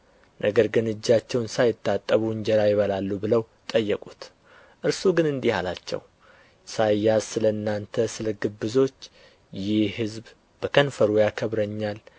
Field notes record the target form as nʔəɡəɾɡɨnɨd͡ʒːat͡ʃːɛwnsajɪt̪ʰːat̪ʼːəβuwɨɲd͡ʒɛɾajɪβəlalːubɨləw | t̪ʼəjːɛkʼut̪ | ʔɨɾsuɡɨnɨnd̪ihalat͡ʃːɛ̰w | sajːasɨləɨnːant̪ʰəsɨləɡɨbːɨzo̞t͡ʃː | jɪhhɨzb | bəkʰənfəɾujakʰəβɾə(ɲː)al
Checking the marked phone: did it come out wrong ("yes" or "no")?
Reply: no